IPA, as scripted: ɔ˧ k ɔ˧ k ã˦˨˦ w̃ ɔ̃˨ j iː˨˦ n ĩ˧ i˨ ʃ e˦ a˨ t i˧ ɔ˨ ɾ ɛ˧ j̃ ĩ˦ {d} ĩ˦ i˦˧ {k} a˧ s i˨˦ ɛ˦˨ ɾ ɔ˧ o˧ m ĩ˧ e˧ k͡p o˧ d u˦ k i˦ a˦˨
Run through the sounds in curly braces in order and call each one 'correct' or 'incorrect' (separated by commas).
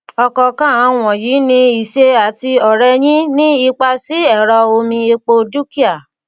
incorrect, incorrect